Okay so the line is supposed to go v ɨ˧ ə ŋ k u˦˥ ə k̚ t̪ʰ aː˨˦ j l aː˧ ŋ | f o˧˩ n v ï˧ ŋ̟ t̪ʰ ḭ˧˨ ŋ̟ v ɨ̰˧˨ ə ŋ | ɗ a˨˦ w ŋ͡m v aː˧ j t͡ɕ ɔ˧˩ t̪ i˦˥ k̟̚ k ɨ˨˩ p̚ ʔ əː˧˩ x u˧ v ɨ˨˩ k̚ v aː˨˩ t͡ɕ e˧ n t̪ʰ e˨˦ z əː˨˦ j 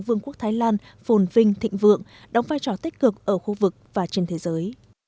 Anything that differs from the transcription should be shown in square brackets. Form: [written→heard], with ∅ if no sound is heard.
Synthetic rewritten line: v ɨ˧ ə ŋ k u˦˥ ə k̚ t̪ʰ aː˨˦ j l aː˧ [ŋ→n] | f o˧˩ n v ï˧ ŋ̟ t̪ʰ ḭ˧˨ ŋ̟ v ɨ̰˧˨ ə ŋ | ɗ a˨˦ w ŋ͡m v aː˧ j t͡ɕ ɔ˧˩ t̪ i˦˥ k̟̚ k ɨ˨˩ [p̚→k̚] ʔ əː˧˩ x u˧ v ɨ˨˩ k̚ v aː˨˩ t͡ɕ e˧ n t̪ʰ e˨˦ z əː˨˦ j